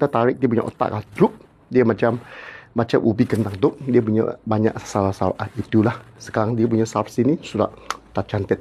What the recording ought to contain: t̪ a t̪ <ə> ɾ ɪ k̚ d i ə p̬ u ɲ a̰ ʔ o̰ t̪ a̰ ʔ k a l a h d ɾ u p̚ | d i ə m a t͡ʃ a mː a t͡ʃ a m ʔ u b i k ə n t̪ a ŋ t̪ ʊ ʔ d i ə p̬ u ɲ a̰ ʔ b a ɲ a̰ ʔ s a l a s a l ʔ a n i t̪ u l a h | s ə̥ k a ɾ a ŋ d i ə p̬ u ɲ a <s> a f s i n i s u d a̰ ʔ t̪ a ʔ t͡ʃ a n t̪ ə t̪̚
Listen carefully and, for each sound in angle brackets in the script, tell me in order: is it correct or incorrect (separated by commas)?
incorrect, correct